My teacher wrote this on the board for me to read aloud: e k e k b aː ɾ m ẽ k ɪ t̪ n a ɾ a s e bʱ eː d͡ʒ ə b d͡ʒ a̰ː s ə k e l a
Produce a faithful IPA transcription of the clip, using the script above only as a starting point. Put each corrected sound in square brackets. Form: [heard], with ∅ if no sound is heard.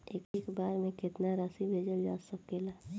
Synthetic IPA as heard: e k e k b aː ɾ m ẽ k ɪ t̪ n a ɾ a s [i] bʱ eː d͡ʒ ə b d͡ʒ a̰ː s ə k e l a